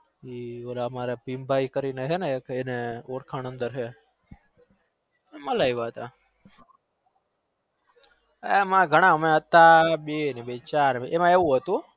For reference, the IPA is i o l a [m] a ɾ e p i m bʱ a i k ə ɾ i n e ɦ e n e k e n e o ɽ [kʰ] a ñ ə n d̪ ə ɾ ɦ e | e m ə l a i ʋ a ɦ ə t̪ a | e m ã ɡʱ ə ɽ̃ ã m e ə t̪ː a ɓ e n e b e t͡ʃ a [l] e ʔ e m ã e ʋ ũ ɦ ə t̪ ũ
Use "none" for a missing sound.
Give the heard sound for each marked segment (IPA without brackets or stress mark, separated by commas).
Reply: m, kʰ, ɾ